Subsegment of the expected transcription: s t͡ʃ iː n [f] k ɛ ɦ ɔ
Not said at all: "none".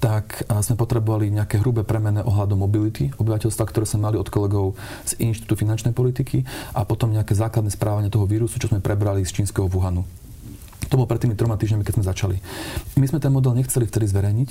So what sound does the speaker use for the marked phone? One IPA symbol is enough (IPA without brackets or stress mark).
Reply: s